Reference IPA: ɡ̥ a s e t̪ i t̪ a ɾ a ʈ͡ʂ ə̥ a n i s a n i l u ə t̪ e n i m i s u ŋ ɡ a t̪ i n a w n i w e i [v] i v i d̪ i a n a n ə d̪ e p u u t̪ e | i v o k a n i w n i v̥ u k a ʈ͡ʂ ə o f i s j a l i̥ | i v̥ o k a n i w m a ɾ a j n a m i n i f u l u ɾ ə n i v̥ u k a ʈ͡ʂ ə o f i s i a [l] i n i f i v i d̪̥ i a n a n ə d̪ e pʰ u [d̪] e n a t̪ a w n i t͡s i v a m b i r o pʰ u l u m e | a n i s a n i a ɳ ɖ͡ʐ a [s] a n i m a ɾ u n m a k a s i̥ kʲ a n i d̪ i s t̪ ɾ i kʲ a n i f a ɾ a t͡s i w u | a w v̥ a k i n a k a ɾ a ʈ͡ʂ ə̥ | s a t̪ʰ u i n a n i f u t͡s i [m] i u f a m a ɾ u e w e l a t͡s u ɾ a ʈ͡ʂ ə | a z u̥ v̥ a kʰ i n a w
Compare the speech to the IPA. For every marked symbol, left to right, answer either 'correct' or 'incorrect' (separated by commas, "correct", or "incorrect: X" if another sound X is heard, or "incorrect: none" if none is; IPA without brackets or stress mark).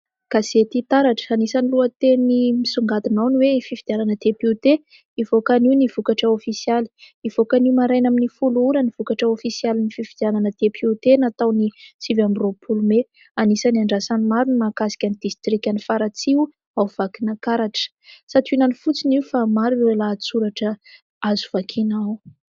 incorrect: f, correct, incorrect: t̪, correct, incorrect: n